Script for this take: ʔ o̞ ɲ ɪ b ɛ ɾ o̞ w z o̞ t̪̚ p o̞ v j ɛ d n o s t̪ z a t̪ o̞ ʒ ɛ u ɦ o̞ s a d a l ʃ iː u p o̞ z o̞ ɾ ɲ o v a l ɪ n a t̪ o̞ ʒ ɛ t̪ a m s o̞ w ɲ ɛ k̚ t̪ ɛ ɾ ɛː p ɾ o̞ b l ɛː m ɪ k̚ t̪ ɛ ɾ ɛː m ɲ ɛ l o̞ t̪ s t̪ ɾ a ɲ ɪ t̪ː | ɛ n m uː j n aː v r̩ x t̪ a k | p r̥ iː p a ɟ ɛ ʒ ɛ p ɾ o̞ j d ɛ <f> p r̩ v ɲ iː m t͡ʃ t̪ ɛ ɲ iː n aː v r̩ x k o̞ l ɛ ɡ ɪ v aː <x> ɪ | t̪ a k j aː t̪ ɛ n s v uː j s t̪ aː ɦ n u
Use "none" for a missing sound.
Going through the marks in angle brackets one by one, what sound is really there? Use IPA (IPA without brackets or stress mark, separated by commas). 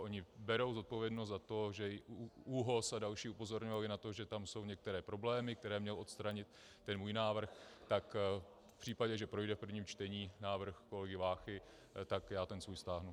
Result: f, x